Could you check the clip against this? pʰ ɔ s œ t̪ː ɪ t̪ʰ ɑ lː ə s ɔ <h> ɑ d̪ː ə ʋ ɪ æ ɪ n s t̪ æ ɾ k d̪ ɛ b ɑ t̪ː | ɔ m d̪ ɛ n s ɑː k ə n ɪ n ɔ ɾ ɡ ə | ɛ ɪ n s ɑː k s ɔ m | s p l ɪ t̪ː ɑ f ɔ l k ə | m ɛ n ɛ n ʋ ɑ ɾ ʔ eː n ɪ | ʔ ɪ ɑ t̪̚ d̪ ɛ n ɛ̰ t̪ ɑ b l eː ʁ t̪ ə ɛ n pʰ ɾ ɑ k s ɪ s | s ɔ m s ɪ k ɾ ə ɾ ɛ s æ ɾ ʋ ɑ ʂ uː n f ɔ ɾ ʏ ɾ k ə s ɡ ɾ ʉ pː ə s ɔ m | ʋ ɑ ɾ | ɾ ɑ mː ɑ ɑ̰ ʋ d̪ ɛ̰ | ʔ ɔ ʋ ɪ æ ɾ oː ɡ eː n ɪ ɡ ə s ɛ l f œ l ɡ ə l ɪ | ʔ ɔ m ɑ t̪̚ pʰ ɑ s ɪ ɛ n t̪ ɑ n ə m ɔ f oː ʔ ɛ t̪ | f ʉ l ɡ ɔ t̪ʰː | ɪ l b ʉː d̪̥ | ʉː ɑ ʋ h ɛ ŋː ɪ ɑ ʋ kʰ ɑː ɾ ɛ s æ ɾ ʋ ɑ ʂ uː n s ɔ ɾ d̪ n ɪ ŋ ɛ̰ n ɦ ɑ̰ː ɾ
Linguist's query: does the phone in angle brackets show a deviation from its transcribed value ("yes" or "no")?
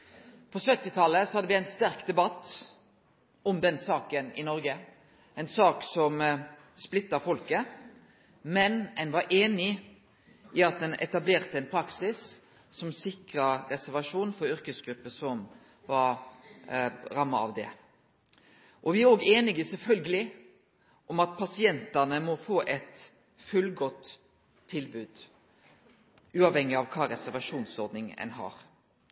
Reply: no